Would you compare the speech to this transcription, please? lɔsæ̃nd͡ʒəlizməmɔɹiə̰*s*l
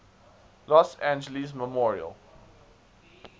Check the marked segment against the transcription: incorrect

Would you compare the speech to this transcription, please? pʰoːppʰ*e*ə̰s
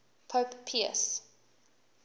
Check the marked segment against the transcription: incorrect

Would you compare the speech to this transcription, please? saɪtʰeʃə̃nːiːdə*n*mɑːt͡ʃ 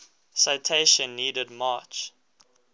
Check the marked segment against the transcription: incorrect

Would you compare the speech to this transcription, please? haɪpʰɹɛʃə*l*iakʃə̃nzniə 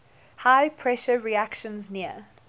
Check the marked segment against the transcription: incorrect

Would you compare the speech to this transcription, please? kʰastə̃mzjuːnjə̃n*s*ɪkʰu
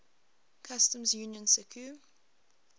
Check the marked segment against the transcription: correct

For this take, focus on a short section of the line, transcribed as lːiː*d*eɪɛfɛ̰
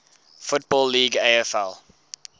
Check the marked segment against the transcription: incorrect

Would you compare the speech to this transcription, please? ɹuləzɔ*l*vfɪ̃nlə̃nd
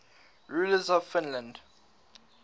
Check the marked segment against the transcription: incorrect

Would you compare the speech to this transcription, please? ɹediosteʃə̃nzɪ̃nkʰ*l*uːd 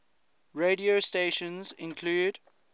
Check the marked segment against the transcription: correct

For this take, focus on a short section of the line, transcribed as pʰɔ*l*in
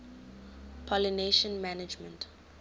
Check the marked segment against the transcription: correct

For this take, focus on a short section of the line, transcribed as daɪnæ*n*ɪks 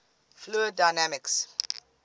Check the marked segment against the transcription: incorrect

